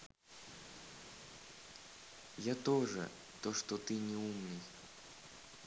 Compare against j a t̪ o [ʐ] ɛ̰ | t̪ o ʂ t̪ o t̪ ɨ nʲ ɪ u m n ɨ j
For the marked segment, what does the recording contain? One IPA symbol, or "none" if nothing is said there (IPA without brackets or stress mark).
ʐ